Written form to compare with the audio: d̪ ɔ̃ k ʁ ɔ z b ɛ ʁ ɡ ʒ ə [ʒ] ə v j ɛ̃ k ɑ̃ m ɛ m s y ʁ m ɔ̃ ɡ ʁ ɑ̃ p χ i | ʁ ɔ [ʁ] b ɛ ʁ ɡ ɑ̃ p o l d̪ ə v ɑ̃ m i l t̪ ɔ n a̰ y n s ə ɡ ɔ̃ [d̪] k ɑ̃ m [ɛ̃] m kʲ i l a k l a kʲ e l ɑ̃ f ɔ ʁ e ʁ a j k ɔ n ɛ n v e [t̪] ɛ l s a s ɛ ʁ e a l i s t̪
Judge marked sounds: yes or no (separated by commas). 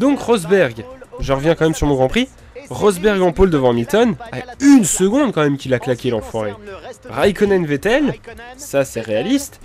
no, no, yes, no, yes